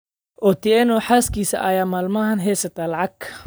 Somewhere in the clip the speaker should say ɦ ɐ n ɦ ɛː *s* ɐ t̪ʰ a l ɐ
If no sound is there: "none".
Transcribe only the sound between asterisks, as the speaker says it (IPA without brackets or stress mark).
s